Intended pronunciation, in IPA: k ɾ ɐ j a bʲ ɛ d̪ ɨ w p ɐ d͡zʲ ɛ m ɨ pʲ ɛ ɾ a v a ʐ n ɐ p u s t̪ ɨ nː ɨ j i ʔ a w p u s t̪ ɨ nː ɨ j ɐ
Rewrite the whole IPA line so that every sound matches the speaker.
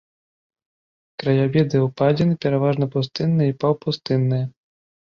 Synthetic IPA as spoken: k ɾ ɐ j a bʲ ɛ d̪ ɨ w p a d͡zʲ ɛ n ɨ pʲ ɛ ɾ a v a ʐ n ɐ p u s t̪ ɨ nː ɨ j i p a w p u s t̪ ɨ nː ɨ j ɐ